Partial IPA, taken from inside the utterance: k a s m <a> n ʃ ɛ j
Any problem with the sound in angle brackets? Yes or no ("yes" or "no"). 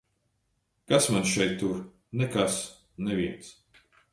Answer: no